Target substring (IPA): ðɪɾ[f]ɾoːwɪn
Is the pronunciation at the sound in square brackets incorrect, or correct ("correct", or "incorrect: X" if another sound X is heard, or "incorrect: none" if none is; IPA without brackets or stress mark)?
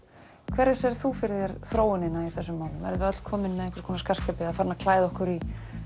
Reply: incorrect: θ